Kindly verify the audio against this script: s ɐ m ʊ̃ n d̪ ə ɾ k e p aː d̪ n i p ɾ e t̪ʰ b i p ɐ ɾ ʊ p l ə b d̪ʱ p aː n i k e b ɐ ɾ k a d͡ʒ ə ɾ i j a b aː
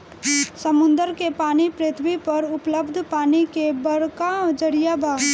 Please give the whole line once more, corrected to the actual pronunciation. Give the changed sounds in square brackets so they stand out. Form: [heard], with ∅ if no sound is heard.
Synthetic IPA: s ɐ m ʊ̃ n d̪ ə ɾ k e p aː [∅] n i p ɾ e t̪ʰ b i p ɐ ɾ ʊ p l ə b d̪ʱ p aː n i k e b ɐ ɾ k a d͡ʒ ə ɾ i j a b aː